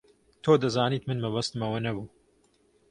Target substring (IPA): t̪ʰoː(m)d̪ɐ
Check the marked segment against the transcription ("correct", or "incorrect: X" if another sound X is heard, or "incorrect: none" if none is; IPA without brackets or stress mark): incorrect: none